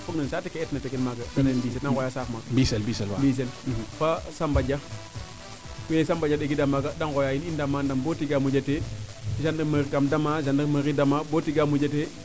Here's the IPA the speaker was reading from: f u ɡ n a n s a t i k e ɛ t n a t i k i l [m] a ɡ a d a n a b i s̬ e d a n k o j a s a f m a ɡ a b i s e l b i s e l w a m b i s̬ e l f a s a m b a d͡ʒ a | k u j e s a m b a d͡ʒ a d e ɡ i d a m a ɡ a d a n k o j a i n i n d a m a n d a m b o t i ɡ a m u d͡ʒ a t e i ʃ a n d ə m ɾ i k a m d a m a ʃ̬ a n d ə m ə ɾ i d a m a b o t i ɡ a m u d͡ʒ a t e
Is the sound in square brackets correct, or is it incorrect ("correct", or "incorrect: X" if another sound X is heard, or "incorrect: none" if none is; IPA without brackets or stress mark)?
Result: correct